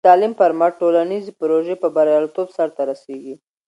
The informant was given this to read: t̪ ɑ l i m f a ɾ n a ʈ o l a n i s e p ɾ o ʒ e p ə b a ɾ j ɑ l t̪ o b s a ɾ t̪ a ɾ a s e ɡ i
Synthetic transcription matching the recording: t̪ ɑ l i m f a ɾ m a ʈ o l a n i z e p ɾ o ʒ e p ə b a ɾ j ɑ l t̪ o b s a ɾ t̪ a ɾ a s e ɡ i